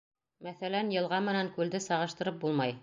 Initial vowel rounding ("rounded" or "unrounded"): unrounded